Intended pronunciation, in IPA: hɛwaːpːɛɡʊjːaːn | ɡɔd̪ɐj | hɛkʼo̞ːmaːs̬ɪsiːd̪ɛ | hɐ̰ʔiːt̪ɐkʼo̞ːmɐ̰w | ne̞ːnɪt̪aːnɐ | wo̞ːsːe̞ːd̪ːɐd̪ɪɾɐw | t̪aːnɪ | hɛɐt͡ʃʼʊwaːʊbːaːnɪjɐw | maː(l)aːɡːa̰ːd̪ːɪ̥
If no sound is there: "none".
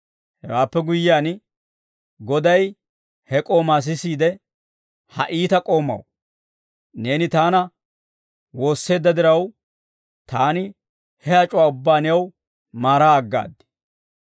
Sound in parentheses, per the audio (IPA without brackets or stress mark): ɾ